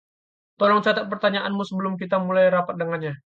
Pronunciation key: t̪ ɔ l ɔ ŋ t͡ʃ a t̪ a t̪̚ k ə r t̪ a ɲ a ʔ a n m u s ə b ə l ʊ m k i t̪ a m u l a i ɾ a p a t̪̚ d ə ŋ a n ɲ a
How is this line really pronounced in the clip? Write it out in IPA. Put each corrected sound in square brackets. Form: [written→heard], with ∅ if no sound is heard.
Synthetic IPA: t̪ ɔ l ɔ ŋ t͡ʃ a t̪ a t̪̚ [k→p] ə r t̪ a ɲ a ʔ a n m u s ə b ə l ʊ m k i t̪ a m u l a [i→j] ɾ a p a t̪̚ d ə ŋ a n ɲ a